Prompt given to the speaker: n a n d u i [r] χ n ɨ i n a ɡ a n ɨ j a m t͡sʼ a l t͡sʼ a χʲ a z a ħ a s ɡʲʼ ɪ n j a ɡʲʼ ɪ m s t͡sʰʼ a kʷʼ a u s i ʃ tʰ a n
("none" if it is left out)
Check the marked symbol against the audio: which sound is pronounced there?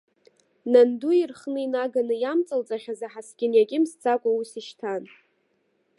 r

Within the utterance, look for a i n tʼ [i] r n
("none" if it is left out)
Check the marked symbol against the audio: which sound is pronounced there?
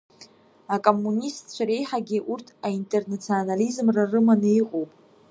e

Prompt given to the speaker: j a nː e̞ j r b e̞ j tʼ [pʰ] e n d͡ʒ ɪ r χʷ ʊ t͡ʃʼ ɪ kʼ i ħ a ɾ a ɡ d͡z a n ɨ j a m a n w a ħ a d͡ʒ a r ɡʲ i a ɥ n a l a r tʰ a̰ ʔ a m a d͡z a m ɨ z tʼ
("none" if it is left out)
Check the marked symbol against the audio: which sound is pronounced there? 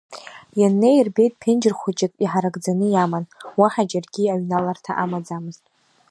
pʰ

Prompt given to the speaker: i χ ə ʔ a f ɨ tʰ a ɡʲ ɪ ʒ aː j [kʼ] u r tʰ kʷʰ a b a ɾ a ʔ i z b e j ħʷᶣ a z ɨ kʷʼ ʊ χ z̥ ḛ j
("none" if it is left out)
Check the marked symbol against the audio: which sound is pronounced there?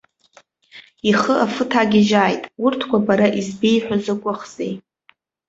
tʼ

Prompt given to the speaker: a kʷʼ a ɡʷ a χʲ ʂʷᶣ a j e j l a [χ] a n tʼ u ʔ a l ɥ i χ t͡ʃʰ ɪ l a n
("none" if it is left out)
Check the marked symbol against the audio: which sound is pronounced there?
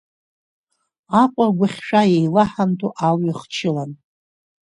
ħ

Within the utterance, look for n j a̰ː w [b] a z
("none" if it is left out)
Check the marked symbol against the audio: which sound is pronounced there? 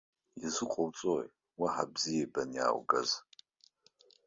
ɡ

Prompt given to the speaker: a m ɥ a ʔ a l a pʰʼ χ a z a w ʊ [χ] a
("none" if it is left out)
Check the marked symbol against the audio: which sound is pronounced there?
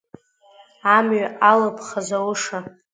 ʂ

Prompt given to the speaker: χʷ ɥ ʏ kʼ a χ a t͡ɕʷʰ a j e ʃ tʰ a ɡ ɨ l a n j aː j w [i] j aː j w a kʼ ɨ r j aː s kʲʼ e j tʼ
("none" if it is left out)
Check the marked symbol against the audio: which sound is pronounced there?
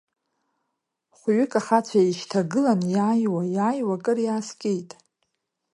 a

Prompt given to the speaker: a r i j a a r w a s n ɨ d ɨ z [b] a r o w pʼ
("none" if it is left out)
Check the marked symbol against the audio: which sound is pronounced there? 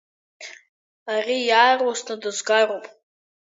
ɡ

